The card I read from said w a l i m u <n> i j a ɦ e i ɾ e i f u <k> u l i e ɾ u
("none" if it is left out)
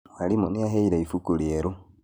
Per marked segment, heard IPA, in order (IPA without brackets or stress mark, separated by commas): n, k